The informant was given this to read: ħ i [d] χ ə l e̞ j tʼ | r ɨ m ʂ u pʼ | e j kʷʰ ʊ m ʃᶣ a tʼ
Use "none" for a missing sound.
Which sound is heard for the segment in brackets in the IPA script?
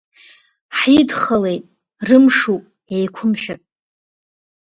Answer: d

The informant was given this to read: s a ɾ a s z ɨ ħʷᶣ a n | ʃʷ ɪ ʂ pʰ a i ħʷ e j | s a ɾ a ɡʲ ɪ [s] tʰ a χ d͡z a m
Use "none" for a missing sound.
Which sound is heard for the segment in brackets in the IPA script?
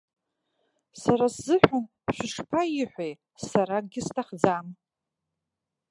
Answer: s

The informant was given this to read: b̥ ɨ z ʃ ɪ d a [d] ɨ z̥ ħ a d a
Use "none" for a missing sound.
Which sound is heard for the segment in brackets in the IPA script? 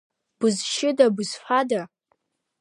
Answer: b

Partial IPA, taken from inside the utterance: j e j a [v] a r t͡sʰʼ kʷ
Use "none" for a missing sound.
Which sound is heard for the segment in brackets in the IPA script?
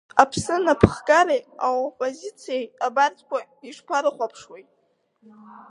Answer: b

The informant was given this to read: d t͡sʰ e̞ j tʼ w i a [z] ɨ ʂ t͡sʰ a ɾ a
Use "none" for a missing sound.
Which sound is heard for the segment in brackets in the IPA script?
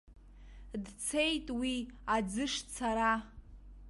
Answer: d͡z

